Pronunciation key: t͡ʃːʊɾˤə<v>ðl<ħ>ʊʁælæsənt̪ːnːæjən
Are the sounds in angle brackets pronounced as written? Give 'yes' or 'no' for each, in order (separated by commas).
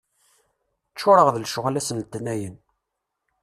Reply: no, no